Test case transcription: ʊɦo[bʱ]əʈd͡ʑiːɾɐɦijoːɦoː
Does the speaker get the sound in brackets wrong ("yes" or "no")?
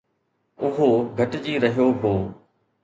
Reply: yes